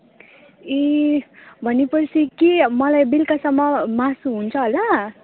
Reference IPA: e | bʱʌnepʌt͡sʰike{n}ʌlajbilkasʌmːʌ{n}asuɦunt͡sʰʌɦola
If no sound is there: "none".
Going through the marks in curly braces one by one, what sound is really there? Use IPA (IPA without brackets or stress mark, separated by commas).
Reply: m, m